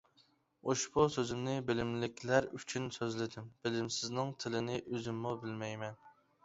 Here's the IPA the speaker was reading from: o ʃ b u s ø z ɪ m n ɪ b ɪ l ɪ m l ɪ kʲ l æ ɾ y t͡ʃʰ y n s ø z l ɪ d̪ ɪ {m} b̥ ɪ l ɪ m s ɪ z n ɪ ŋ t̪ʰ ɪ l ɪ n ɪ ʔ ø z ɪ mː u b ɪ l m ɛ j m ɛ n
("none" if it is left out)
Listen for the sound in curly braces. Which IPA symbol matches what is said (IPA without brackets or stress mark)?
m